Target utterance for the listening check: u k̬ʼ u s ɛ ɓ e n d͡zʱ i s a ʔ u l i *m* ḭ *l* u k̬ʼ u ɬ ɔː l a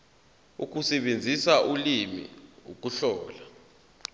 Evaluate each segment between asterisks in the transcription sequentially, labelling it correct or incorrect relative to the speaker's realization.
correct, incorrect

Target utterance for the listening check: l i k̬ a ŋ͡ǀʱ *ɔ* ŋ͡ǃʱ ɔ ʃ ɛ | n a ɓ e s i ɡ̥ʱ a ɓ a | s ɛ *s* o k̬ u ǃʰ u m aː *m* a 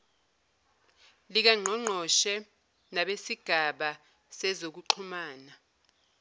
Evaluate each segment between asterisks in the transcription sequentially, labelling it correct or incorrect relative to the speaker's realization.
correct, incorrect, incorrect

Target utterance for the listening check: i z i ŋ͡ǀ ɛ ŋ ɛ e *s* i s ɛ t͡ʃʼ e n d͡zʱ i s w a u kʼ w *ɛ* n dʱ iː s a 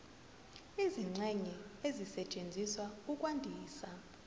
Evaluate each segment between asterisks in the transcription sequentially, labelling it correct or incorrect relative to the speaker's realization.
incorrect, incorrect

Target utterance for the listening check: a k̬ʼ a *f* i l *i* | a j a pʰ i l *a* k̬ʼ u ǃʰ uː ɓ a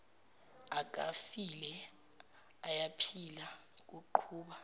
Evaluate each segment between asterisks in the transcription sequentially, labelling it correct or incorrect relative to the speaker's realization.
correct, incorrect, correct

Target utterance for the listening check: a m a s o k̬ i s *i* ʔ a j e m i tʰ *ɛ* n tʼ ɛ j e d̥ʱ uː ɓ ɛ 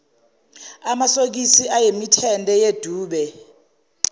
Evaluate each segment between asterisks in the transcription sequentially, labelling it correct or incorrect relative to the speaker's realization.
correct, correct

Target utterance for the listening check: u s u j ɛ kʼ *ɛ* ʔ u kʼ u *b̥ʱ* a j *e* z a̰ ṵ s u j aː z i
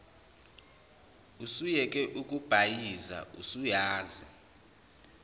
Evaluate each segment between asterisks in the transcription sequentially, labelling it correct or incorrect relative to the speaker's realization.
correct, correct, incorrect

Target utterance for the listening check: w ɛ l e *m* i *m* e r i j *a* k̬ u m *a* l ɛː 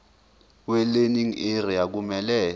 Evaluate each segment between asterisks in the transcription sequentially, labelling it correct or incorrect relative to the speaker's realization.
incorrect, incorrect, correct, incorrect

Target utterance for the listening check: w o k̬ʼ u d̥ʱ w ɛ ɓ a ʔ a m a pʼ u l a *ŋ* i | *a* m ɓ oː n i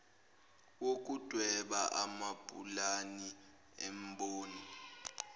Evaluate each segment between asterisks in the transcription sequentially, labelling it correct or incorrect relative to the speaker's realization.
incorrect, incorrect

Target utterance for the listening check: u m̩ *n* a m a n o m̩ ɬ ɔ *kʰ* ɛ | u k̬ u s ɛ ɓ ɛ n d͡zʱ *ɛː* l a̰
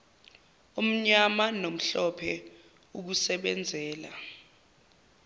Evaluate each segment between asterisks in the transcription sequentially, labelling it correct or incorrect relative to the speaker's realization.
incorrect, incorrect, correct

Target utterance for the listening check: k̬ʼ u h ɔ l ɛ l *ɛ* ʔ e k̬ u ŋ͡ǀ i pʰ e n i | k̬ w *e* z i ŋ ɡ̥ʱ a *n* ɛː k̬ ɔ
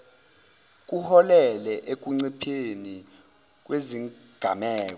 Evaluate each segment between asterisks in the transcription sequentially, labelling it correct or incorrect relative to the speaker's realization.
correct, correct, incorrect

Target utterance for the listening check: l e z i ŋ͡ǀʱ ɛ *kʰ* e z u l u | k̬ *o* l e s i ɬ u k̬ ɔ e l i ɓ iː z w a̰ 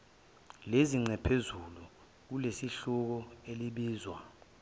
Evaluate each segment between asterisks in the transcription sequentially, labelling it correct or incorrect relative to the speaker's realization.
incorrect, incorrect

